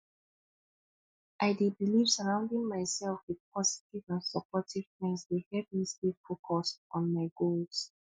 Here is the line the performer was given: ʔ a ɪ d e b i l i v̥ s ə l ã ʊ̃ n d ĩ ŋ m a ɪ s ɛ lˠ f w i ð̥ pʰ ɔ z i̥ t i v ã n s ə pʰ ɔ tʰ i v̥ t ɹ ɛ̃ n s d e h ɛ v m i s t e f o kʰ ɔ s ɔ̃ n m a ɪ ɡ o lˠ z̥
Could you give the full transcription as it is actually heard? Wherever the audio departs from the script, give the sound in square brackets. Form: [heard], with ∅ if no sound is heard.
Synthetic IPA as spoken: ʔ a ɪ d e b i l i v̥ s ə [ɹ] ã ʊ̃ n d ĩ ŋ m a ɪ s ɛ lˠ f w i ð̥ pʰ ɔ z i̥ t i v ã n s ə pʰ ɔ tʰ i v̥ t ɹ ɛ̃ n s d e h ɛ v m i s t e f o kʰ ɔ s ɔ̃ n m a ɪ ɡ o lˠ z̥